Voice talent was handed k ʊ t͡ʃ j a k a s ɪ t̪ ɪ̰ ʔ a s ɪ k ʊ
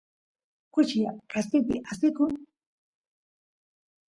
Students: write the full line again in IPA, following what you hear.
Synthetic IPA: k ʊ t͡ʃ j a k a s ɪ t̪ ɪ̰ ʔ a s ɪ k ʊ